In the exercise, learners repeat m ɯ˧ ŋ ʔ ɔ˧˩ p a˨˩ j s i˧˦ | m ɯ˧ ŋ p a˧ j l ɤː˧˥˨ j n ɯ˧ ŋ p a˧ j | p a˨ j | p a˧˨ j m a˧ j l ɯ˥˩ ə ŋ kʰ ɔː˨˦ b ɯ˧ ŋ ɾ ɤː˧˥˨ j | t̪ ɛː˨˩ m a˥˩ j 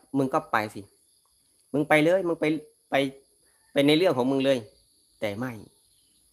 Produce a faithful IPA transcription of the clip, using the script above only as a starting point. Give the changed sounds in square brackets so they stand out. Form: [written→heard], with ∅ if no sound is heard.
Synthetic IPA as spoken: m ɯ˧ ŋ [ʔ→k] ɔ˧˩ p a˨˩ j s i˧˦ | m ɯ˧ ŋ p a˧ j l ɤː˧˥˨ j [n→m] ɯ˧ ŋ p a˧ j | p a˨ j | p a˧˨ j [m→n] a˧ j l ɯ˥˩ ə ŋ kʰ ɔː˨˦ [b→m] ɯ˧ ŋ [ɾ→l] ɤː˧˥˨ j | t̪ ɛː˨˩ m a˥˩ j